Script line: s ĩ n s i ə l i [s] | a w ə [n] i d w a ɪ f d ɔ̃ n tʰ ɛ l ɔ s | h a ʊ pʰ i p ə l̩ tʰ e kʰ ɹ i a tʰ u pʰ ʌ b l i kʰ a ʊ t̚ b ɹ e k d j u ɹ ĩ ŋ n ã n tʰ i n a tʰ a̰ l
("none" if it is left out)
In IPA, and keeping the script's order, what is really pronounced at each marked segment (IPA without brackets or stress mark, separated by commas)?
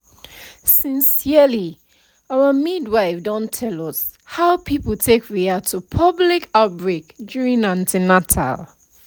none, m